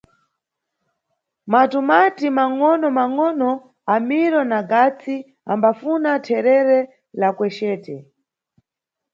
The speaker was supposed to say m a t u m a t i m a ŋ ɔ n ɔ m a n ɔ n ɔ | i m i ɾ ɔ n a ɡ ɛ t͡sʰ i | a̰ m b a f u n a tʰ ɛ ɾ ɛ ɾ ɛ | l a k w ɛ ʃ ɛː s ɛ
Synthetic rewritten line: m a t u m a t i m a ŋ ɔ n ɔ m a ŋ ɔ n ɔ | a m i ɾ ɔ n a ɡ a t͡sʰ i | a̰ m b a f u n a tʰ ɛ ɾ ɛ ɾ ɛ | l a k w ɛ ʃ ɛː t ɛ

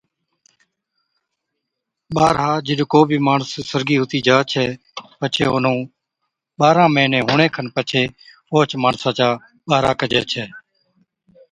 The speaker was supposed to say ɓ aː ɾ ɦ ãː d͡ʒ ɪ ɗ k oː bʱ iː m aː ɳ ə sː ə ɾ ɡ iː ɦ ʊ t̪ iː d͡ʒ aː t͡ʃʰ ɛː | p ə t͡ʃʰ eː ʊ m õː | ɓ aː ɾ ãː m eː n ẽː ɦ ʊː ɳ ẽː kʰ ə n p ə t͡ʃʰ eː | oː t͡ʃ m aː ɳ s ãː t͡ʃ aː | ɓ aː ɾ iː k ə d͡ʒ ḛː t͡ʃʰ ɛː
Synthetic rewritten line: ɓ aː ɾ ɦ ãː d͡ʒ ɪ ɗ k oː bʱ iː m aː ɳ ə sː ə ɾ ɡ iː ɦ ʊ t̪ iː d͡ʒ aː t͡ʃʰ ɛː | p ə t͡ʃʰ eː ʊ n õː | ɓ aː ɾ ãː m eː n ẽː ɦ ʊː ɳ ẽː kʰ ə n p ə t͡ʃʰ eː | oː t͡ʃ m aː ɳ s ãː t͡ʃ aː | ɓ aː ɾ aː k ə d͡ʒ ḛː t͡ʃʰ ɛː

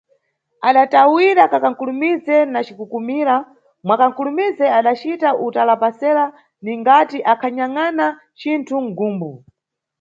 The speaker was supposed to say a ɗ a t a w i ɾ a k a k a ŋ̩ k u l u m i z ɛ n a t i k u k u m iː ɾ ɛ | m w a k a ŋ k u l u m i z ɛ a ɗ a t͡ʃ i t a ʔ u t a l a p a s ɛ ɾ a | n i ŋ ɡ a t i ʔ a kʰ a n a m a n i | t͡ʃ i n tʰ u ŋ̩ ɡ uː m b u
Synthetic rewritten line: a ɗ a t a w i ɾ a k a k a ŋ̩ k u l u m i z ɛ n a t͡ʃ i k u k u m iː ɾ a | m w a k a ŋ k u l u m i z ɛ a ɗ a t͡ʃ i t a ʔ u t a l a p a s ɛ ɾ a | n i ŋ ɡ a t i ʔ a kʰ a ɲ a ŋ a n a | t͡ʃ i n tʰ u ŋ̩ ɡ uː m b u

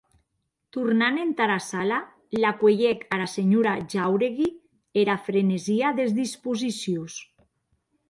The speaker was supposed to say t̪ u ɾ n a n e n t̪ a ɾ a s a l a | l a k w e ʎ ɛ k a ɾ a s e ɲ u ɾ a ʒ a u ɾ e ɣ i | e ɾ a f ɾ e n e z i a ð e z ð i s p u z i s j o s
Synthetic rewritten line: t̪ u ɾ n a n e n t̪ a ɾ a s a l a | l a k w e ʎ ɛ k a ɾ a s e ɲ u ɾ a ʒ a w ɾ e ɣ i | e ɾ a f ɾ e n e z i a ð e z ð i s p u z i s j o s

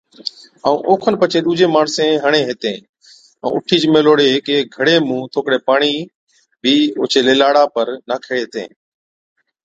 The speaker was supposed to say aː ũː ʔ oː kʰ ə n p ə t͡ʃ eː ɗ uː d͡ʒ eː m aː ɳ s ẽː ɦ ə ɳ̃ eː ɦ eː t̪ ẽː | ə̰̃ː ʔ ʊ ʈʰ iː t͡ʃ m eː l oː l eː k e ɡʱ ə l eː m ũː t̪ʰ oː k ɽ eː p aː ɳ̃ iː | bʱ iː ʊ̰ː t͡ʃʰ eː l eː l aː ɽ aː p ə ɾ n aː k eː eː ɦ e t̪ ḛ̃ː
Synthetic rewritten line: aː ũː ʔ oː kʰ ə n p ə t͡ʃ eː ɗ uː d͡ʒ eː m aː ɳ s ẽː ɦ ə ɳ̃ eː ɦ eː t̪ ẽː | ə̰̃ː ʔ ʊ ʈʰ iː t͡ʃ m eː l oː ɽ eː k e ɡʱ ə ɽ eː m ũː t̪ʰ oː k ɽ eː p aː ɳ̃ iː | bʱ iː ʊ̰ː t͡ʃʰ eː l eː l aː ɽ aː p ə ɾ n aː kʰ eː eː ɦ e t̪ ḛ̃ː

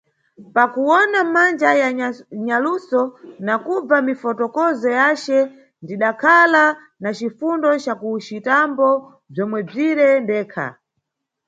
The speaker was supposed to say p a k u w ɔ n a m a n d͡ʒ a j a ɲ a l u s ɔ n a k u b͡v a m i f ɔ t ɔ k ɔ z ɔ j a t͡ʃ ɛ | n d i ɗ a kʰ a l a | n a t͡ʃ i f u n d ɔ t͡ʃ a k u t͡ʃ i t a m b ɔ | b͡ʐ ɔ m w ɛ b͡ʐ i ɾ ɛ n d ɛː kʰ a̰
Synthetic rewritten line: p a k u w ɔ n a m a n d͡ʒ a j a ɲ a l u s ɔ n a k u b͡v a m i f ɔ t ɔ k ɔ z ɔ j a t͡ʃ ɛ | n d i ɗ a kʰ a l a | n a t͡ʃ i f u n d ɔ t͡ʃ a k u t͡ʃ i t a m b ɔ | b͡ʐ ɔ m w ɛ b͡ʐ i ɾ ɛ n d ɛː kʰ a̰

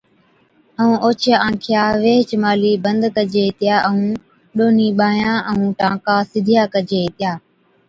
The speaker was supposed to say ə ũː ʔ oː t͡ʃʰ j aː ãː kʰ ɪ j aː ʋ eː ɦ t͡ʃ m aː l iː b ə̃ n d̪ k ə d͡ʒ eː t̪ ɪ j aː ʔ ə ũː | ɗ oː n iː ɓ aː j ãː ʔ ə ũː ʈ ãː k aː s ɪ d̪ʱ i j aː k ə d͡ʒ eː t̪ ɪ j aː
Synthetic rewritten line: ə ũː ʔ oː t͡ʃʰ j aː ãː kʰ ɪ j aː ʋ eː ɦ t͡ʃ m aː l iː b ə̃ n d̪ k ə d͡ʒ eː t̪ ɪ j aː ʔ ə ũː | ɗ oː n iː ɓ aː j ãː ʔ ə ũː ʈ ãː k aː s ɪ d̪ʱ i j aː k ə d͡ʒ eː t̪ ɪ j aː

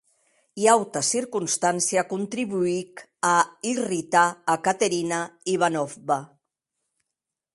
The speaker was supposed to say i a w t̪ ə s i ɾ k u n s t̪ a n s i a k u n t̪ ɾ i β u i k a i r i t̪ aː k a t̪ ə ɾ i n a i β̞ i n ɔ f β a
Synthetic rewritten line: i a w t̪ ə s i ɾ k u n s t̪ a n s i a k u n t̪ ɾ i β u i k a i r i t̪ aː k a t̪ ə ɾ i n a i β̞ a n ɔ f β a

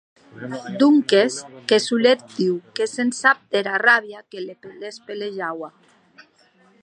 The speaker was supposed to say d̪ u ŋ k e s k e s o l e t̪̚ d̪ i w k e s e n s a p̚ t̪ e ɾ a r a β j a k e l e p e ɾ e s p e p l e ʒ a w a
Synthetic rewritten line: d̪ u ŋ k e s k e s u l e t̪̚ d̪ i w k e s e n s a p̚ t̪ e ɾ a r a β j a k e l e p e l e s p e l e ʒ a w a

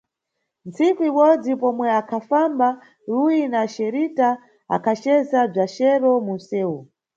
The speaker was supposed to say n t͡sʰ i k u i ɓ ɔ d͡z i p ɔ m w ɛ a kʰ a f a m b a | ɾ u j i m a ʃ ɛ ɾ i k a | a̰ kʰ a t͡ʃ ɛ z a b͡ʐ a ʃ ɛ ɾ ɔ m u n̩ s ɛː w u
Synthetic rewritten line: n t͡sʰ i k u i ɓ ɔ d͡z i p ɔ m w ɛ a kʰ a f a m b a | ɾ u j i n a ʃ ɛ ɾ i t a | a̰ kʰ a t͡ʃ ɛ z a b͡ʐ a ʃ ɛ ɾ ɔ m u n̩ s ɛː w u

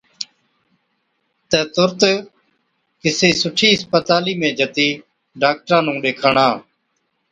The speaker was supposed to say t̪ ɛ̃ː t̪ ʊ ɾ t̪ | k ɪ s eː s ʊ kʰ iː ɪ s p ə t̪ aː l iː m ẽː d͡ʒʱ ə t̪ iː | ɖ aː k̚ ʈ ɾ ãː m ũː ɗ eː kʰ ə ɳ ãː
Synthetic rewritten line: t̪ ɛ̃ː t̪ ʊ ɾ t̪ | k ɪ s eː s ʊ ʈʰ iː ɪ s p ə t̪ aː l iː m ẽː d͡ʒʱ ə t̪ iː | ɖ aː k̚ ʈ ɾ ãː n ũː ɗ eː kʰ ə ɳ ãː

